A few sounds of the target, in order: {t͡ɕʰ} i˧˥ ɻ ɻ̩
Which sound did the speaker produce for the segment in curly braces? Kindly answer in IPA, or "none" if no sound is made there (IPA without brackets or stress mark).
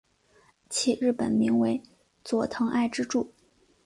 t͡ɕʰ